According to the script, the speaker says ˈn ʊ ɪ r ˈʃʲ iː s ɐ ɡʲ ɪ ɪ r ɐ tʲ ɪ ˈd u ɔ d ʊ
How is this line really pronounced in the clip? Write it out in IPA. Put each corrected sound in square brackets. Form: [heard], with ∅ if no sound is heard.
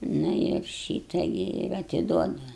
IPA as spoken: ˈn ʊ ɪ r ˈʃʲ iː [t] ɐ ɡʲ ɪ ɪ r ɐ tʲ ɪ ˈd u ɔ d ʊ